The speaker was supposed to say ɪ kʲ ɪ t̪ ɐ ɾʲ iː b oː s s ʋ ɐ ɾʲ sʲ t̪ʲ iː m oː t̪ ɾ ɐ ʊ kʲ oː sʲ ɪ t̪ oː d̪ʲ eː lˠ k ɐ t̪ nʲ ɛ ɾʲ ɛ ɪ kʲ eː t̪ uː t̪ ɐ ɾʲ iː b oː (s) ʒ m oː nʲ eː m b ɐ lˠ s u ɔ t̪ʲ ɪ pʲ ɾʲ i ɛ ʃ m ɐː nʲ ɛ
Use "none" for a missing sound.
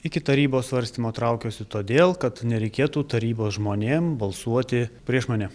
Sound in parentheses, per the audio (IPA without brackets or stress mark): s